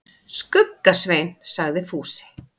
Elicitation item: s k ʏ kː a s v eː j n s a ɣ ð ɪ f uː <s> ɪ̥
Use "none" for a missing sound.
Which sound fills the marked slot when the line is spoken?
s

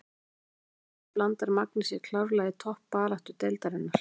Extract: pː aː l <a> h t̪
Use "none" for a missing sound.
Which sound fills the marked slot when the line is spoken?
a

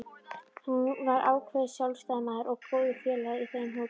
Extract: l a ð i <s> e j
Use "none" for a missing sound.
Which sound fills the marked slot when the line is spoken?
θ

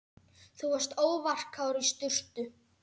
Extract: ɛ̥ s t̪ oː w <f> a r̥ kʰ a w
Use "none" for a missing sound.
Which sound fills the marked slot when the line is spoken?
v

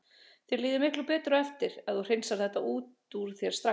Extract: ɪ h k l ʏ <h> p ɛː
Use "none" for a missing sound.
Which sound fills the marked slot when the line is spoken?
none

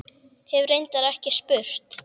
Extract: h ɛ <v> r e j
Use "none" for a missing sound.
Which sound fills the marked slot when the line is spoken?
v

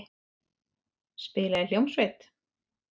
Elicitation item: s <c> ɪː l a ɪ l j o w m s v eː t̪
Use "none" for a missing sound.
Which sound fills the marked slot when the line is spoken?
p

